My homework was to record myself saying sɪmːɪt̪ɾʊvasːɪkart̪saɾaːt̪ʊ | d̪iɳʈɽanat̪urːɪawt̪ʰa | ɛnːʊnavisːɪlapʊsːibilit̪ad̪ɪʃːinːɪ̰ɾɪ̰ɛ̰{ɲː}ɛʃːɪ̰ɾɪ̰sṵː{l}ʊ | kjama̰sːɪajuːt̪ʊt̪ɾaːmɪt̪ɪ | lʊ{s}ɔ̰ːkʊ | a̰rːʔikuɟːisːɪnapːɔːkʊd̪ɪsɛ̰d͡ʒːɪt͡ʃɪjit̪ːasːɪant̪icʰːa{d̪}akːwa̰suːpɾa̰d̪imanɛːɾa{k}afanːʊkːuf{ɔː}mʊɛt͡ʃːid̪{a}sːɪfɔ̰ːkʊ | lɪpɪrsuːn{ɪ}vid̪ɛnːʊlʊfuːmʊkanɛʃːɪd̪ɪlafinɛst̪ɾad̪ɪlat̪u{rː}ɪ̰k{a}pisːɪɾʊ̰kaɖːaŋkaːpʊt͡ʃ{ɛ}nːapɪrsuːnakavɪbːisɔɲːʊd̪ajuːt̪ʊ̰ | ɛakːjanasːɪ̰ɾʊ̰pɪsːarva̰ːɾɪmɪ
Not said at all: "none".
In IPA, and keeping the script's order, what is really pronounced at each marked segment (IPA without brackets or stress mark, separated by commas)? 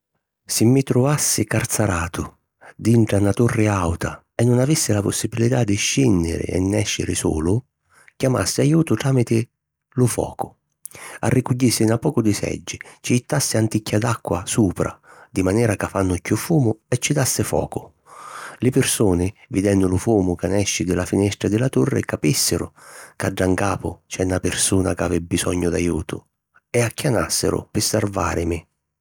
nː, l, f, d̪, k, uː, a, ɪ, rː, a, ɛ